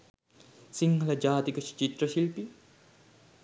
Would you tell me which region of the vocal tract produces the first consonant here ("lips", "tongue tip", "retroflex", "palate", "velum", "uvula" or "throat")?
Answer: tongue tip